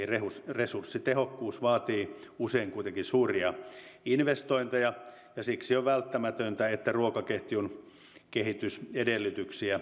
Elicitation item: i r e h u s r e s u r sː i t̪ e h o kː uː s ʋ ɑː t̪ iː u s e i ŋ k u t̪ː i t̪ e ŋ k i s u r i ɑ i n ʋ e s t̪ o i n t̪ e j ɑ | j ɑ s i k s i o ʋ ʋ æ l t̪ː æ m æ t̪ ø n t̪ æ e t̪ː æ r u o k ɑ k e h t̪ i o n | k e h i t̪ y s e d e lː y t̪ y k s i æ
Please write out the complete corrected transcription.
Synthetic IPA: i r e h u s r e s u r sː i t̪ e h o kː uː s ʋ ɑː t̪ iː u s e i ŋ k u i t̪ e ŋ k i s uː r i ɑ i n ʋ e s t̪ o i n t̪ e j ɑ | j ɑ s i k s i o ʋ ʋ æ l t̪ː æ m æ t̪ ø n t̪ æ e t̪ː æ r u o k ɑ k e h t̪ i u n | k e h i t̪ y s e d e lː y t̪ y k s i æ